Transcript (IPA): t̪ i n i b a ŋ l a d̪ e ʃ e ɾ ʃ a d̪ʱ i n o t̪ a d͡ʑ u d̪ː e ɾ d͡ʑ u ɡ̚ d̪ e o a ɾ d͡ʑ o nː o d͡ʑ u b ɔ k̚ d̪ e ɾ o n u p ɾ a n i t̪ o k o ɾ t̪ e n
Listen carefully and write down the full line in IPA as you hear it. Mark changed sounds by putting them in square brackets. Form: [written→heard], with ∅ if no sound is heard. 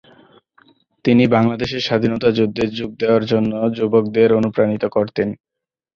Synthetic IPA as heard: t̪ i n i b a ŋ l a d̪ e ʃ e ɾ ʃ a d̪ʱ i n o t̪ a d͡ʑ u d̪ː e ɾ d͡ʑ u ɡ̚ d̪ e o a ɾ d͡ʑ o nː o d͡ʑ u b [ɔ→o] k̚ d̪ e ɾ o n u p ɾ a n i t̪ o k o ɾ t̪ e n